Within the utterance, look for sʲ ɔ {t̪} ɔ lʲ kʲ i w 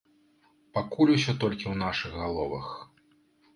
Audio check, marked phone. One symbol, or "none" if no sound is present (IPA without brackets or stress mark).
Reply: t̪